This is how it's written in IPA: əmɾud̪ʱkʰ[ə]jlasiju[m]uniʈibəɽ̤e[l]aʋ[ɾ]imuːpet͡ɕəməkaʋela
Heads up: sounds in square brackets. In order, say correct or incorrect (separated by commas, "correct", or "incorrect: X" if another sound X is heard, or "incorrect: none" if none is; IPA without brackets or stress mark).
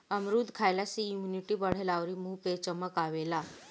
incorrect: a, correct, correct, correct